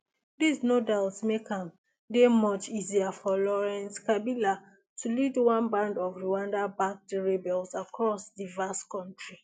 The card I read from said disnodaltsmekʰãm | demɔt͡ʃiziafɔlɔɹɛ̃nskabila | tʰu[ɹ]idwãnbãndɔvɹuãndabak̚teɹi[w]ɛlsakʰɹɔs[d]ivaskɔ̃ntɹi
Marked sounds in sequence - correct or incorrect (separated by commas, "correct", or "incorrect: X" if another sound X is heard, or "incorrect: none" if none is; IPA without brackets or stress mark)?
incorrect: l, incorrect: b, correct